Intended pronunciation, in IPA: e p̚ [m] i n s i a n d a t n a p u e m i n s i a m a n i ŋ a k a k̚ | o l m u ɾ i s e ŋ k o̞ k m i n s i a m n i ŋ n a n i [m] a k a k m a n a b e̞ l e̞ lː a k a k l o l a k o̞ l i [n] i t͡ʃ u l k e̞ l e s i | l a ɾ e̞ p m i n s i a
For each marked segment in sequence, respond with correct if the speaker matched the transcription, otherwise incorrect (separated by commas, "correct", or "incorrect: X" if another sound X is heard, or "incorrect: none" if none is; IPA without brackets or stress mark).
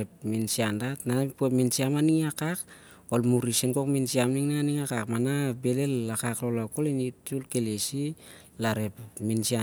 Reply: correct, incorrect: ŋ, correct